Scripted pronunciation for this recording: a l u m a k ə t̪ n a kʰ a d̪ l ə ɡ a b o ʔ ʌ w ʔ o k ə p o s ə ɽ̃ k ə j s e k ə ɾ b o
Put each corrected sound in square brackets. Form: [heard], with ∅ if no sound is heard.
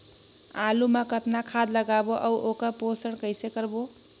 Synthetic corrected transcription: a l u m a k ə t̪ n a kʰ a d̪ l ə ɡ a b o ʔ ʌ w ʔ o k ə p o s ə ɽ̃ k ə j s e k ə ɾ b o